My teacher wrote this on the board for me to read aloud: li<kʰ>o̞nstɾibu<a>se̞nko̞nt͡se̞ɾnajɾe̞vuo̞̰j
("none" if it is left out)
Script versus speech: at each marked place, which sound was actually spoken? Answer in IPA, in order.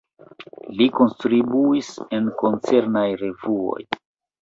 k, i

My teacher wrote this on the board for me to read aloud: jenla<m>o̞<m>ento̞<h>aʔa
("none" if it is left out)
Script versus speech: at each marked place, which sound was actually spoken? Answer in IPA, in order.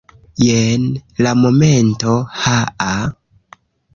m, m, h

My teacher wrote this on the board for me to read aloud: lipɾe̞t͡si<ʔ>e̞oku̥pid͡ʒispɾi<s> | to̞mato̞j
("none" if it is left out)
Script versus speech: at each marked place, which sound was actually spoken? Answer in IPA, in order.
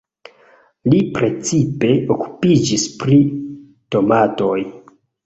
p, none

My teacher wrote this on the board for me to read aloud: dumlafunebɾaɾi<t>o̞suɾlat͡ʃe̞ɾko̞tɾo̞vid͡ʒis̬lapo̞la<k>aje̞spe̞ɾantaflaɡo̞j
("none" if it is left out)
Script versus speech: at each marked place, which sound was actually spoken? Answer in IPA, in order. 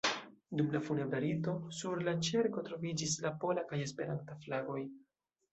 t, k

